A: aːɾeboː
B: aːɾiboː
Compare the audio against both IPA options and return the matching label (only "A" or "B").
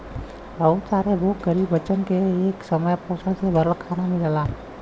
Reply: A